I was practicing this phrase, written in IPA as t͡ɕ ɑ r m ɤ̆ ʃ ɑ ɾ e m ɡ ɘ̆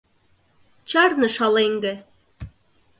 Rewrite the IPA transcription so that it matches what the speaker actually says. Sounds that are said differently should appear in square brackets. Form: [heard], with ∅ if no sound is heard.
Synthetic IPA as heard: t͡ɕ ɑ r [n] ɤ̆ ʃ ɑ [l] e [ŋ] ɡ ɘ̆